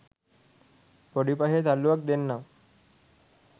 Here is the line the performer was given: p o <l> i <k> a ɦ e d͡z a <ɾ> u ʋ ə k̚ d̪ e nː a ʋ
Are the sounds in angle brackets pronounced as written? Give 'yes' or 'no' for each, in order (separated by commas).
no, no, no